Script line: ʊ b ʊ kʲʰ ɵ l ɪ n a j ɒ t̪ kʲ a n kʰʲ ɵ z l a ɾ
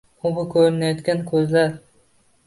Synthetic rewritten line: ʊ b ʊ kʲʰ ɵ ɾ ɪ n a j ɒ t̪ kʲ a n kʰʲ ɵ z l a ɾ